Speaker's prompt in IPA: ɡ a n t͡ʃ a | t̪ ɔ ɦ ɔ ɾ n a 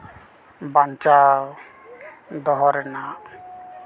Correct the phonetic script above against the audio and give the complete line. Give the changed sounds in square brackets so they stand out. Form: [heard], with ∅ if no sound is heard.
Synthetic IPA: [b] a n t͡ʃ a | [d̪] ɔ ɦ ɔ ɾ n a